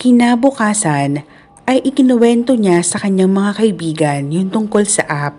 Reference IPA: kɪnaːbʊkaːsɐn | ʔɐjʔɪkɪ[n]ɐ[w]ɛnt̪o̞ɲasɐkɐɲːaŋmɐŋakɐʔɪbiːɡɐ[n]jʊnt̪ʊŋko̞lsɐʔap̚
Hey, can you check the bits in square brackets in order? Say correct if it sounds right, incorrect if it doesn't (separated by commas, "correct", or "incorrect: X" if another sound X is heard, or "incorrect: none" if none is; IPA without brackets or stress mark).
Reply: correct, correct, correct